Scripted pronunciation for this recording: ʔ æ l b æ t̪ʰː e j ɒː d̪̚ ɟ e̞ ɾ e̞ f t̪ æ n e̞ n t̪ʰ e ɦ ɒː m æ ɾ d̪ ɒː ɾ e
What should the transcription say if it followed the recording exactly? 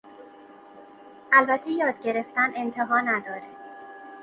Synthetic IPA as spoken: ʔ æ l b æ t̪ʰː e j ɒː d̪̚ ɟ e̞ ɾ e̞ f t̪ æ n e̞ n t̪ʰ e ɦ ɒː n æ d̪ ɒː ɾ e